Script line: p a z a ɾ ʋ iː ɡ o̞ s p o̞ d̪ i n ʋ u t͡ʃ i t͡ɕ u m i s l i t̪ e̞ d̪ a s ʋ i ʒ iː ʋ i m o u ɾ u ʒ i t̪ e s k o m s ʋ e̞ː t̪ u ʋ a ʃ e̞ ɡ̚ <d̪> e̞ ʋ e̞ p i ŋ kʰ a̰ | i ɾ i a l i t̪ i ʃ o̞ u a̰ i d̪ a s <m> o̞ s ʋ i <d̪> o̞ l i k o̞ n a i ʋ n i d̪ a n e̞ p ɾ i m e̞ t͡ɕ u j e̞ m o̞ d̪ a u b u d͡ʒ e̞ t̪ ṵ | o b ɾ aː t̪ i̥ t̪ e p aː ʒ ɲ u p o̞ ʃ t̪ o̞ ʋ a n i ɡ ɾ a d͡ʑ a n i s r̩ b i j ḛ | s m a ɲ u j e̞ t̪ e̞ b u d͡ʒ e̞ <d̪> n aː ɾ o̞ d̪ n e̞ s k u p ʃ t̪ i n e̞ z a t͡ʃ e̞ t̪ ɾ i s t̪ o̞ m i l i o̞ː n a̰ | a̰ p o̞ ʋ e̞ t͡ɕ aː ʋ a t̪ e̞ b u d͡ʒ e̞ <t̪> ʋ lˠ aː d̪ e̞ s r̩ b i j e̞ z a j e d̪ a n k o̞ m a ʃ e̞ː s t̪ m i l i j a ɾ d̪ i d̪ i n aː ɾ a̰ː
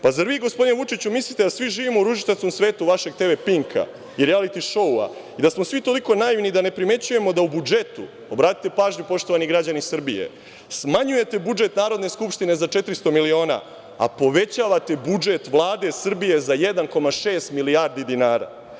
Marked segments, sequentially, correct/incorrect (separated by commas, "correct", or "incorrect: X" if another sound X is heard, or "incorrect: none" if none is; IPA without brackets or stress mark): incorrect: t̪, correct, incorrect: t̪, incorrect: t̪, correct